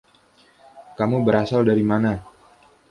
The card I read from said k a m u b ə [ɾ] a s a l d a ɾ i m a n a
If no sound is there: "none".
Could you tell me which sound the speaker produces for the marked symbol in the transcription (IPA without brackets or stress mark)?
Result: ɾ